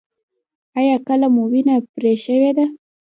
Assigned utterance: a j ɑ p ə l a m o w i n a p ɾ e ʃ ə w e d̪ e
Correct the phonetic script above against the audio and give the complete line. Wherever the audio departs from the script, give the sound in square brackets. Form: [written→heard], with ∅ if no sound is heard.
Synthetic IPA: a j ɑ [p→k] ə l a m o w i n a p ɾ e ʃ ə w e d̪ [e→a]

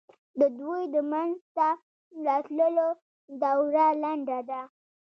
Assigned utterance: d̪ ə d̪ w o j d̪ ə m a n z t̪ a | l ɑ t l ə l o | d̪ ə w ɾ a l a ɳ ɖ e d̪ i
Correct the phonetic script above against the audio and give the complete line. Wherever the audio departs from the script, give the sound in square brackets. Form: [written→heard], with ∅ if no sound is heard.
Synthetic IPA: d̪ ə d̪ w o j d̪ ə m a n z t̪ a | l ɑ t l ə l o | d̪ [ə→a] w ɾ a l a ɳ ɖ [e→a] d̪ [i→a]

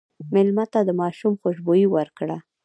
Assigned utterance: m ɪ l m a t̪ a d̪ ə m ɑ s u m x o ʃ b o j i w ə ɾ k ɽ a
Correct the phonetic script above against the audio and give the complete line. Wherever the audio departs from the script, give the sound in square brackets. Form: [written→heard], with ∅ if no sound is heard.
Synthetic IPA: m ɪ l m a t̪ a d̪ ə m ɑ [s→ʃ] u m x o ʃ b o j i w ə ɾ k ɽ a

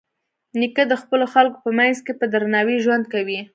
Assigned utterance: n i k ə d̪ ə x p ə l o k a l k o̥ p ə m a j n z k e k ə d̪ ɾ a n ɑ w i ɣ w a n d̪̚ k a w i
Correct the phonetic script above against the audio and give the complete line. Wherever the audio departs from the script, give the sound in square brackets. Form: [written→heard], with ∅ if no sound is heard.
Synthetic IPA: n i k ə d̪ ə x p ə l o [k→x] a l k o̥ p ə m a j n z k e [k→p] ə d̪ ɾ a n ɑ w i [ɣ→ʒ] w a n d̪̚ k a w i

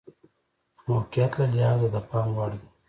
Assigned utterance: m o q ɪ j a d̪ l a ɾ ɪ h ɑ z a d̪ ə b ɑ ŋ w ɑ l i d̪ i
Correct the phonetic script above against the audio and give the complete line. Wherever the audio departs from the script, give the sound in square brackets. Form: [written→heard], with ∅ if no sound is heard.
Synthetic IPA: m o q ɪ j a [d̪→t̪] l a [ɾ→l] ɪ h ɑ z a d̪ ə [b→p] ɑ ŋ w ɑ [l→ɽ] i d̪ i

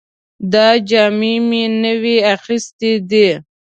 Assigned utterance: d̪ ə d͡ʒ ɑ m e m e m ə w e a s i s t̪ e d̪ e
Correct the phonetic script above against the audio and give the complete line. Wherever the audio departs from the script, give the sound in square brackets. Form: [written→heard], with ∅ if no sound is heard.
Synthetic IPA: d̪ [ə→ɑ] d͡ʒ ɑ m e m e [m→n] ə w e a [s→x] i s t̪ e d̪ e

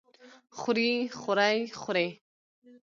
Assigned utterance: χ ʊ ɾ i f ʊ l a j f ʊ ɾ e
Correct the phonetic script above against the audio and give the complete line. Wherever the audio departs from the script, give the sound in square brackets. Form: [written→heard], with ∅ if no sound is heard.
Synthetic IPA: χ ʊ ɾ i [f→χ] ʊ [l→ɾ] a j [f→χ] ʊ ɾ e

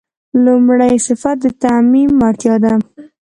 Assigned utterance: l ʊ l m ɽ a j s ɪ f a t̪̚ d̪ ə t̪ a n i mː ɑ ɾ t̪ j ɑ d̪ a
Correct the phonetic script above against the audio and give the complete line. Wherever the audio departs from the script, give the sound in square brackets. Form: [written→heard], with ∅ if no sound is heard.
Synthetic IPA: l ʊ [l→∅] m ɽ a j s ɪ f a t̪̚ d̪ ə t̪ a [n→m] i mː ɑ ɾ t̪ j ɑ d̪ a

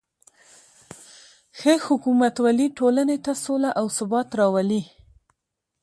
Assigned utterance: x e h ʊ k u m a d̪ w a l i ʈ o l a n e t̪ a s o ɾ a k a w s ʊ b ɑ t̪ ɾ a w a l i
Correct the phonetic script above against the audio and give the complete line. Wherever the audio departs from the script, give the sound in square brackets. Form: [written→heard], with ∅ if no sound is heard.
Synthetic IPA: x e h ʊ k u m a [d̪→t̪] w a l i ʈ o l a n e t̪ a s o [ɾ→l] a [k→ʔ] a w s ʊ b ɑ t̪ ɾ [a→ɑ] w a l i

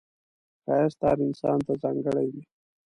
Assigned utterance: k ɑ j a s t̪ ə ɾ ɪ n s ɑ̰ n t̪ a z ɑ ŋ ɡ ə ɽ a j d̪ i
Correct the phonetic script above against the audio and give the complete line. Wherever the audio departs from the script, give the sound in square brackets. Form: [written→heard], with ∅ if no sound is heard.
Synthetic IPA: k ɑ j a s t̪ [ə→ɑ] ɾ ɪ n s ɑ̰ n t̪ a z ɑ ŋ ɡ ə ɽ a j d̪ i

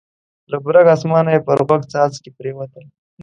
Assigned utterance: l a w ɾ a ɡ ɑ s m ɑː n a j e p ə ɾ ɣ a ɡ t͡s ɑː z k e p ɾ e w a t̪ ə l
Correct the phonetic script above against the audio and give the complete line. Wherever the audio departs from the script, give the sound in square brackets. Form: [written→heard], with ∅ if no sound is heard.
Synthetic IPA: l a [w→b] ɾ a ɡ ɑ s m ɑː n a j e p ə ɾ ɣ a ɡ t͡s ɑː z k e p ɾ e w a t̪ ə l

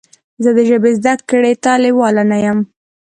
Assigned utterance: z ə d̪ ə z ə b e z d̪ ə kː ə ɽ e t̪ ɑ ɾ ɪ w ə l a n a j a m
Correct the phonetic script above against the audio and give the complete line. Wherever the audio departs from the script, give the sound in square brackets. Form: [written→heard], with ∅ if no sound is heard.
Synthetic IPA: z ə d̪ ə [z→ʒ] ə b e z d̪ [ə→a] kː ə ɽ e t̪ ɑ [ɾ→l] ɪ w [ə→ɑ] l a n a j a m

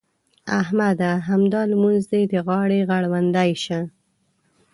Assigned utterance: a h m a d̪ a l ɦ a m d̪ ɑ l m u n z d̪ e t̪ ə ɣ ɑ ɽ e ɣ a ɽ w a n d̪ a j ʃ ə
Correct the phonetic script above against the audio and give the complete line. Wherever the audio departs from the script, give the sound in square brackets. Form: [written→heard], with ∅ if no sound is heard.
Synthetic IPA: a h m a d̪ a [l→∅] ɦ a m d̪ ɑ l m u n z d̪ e [t̪→d̪] ə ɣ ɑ ɽ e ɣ a ɽ w a n d̪ a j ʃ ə

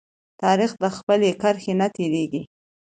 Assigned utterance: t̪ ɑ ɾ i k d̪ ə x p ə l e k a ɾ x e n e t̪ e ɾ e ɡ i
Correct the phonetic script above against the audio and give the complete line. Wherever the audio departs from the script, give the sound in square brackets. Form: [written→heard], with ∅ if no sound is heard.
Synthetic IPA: t̪ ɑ ɾ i [k→x] d̪ ə x p ə l e k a ɾ x e n [e→a] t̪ e ɾ e ɡ i

